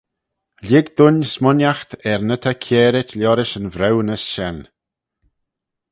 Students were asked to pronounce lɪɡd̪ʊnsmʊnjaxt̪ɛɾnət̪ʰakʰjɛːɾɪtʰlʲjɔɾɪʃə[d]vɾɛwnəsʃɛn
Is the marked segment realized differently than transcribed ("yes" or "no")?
yes